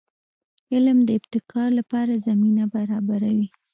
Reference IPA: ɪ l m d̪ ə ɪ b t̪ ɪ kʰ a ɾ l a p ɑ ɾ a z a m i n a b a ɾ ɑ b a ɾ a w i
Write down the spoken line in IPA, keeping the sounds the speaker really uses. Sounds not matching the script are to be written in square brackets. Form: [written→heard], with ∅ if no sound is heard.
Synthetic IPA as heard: ɪ l m d̪ ə ɪ b t̪ ɪ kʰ [a→ɑ] ɾ l a p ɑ ɾ a z a m i n a b a ɾ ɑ b a ɾ a w i